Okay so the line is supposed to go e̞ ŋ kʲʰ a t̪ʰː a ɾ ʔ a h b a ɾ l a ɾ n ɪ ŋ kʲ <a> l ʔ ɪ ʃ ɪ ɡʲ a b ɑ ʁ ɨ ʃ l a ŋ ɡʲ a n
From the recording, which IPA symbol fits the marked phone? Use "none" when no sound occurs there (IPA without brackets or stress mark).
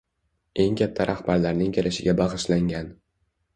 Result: e